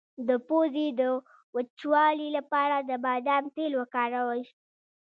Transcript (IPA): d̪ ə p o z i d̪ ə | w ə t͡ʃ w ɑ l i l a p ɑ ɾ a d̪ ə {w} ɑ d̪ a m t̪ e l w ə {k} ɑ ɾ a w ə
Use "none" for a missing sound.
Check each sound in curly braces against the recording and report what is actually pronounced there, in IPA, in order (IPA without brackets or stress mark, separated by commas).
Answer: b, k